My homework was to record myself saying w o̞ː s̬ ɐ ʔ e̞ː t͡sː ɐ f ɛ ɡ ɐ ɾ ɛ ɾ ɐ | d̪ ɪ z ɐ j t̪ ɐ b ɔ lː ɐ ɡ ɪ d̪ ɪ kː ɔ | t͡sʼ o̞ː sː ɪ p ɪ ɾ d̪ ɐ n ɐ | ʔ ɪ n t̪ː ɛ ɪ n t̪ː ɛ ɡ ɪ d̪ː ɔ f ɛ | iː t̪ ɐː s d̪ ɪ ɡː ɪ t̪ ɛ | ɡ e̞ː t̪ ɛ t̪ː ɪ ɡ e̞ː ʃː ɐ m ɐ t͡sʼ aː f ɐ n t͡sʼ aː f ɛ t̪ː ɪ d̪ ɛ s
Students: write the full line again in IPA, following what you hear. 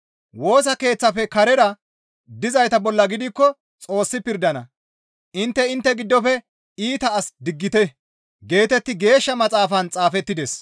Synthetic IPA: w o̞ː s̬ ɐ k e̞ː t͡sː ɐ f ɛ k ɐ ɾ ɛ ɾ ɐ | d̪ ɪ z ɐ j t̪ ɐ b ɔ lː ɐ ɡ ɪ d̪ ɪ kː ɔ | t͡sʼ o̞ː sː ɪ p ɪ ɾ d̪ ɐ n ɐ | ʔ ɪ n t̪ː ɛ ɪ n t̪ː ɛ ɡ ɪ d̪ː ɔ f ɛ | iː t̪ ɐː s d̪ ɪ ɡː ɪ t̪ ɛ | ɡ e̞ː t̪ ɛ t̪ː ɪ ɡ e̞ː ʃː ɐ m ɐ t͡sʼ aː f ɐ n t͡sʼ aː f ɛ t̪ː ɪ d̪ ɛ s

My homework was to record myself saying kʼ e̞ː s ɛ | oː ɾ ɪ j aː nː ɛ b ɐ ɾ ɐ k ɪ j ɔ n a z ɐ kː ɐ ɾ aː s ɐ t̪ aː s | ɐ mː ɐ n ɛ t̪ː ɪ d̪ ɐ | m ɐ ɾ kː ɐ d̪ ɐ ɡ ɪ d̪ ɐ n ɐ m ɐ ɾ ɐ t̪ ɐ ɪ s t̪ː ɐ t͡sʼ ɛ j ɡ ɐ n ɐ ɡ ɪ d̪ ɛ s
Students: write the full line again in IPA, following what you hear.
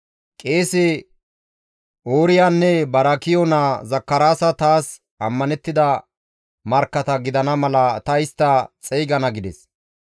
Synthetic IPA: kʼ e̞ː s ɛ | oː ɾ ɪ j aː nː ɛ b ɐ ɾ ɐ k ɪ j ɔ n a z ɐ kː ɐ ɾ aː s ɐ t̪ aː s | ɐ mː ɐ n ɛ t̪ː ɪ d̪ ɐ | m ɐ ɾ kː ɐ t̪ ɐ ɡ ɪ d̪ ɐ n ɐ m ɐ l ɐ t̪ ɐ ɪ s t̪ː ɐ t͡sʼ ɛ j ɡ ɐ n ɐ ɡ ɪ d̪ ɛ s

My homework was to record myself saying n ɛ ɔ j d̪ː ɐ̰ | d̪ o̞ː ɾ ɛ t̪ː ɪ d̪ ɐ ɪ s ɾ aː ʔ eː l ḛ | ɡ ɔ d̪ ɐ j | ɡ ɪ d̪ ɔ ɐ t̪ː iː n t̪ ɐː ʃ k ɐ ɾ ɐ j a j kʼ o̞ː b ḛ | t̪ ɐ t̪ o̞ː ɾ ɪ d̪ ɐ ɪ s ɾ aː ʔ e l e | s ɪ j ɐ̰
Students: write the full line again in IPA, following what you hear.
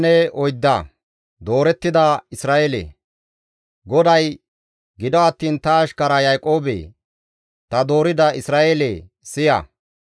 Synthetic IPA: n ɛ ɔ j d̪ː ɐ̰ | d̪ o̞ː ɾ ɛ t̪ː ɪ d̪ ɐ ɪ s ɾ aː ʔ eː l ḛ | ɡ ɔ d̪ ɐ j | ɡ ɪ d̪ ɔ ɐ t̪ː iː n t̪ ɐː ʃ k ɐ ɾ ɐ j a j kʼ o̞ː b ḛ | t̪ ɐ d̪ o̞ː ɾ ɪ d̪ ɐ ɪ s ɾ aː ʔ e l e | s ɪ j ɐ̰

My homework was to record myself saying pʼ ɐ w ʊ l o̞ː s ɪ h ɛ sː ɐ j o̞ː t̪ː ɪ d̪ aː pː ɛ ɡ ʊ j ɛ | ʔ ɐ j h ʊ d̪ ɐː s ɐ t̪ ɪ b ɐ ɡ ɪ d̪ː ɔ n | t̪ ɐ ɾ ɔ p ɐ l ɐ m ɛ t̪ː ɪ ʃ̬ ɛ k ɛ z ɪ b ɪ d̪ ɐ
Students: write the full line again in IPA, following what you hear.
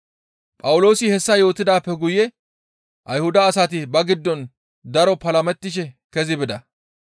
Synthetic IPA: pʼ ɐ w ʊ l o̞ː s ɪ h ɛ sː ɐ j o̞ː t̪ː ɪ d̪ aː pː ɛ ɡ ʊ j ɛ | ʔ ɐ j h ʊ d̪ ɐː s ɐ t̪ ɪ b ɐ ɡ ɪ d̪ː ɔ n | d̪ ɐ ɾ ɔ p ɐ l ɐ m ɛ t̪ː ɪ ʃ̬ ɛ k ɛ z ɪ b ɪ d̪ ɐ

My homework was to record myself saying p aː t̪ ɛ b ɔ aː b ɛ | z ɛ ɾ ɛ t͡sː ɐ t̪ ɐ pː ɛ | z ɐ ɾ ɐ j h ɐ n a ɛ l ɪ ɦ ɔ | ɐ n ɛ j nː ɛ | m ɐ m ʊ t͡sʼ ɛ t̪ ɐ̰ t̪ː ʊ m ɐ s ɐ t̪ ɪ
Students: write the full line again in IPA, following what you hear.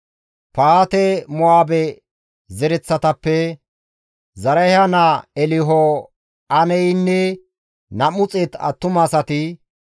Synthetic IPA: p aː t̪ ɛ m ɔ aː b ɛ | z ɛ ɾ ɛ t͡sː ɐ t̪ ɐ pː ɛ | z ɐ ɾ ɐ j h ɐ n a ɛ l ɪ ɦ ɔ | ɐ n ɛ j nː ɛ | n ɐ m ʊ t͡sʼ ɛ t̪ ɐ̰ t̪ː ʊ m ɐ s ɐ t̪ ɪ

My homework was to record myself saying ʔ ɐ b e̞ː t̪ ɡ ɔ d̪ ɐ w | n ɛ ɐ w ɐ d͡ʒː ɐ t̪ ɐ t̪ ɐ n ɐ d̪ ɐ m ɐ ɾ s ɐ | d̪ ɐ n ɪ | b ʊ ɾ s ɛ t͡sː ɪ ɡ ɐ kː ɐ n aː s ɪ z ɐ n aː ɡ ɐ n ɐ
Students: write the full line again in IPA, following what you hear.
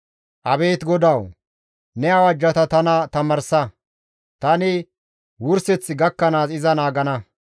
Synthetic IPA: ʔ ɐ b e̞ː t̪ ɡ ɔ d̪ ɐ w | n ɛ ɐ w ɐ d͡ʒː ɐ t̪ ɐ t̪ ɐ n ɐ t̪ ɐ m ɐ ɾ s ɐ | t̪ ɐ n ɪ | w ʊ ɾ s ɛ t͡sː ɪ ɡ ɐ kː ɐ n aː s ɪ z ɐ n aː ɡ ɐ n ɐ

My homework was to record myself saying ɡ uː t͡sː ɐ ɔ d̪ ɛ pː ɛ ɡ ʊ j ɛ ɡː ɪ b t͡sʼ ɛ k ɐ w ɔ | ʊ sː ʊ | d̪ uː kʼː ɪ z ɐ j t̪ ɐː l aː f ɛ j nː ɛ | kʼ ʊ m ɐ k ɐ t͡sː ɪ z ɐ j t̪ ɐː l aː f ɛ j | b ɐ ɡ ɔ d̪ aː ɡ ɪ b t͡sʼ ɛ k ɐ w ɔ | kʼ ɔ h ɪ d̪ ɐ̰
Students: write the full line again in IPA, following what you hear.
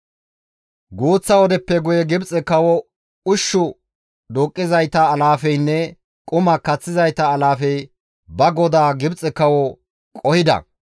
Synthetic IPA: ɡ uː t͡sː ɐ ɔ d̪ ɛ pː ɛ ɡ ʊ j ɛ ɡ ɪ b t͡sʼ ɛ k ɐ w ɔ | ʊ ʃː ʊ | d̪ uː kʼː ɪ z ɐ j t̪ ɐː l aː f ɛ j nː ɛ | kʼ ʊ m ɐ k ɐ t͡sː ɪ z ɐ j t̪ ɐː l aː f ɛ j | b ɐ ɡ ɔ d̪ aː ɡ ɪ b t͡sʼ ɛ k ɐ w ɔ | kʼ ɔ h ɪ d̪ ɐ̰

